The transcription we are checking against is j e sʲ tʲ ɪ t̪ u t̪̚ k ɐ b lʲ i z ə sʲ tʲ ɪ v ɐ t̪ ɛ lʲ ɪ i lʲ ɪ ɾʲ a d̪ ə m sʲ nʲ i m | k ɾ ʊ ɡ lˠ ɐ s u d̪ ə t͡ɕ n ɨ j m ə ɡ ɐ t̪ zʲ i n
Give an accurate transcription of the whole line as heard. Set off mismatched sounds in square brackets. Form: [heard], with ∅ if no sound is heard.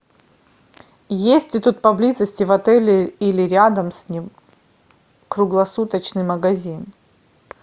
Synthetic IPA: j e sʲ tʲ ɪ t̪ u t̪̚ [p] ɐ b lʲ i z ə sʲ tʲ ɪ v ɐ t̪ ɛ lʲ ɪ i lʲ ɪ ɾʲ a d̪ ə m sʲ nʲ i m | k ɾ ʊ ɡ lˠ ɐ s u [t̪] ə t͡ɕ n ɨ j m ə ɡ ɐ [∅] zʲ i n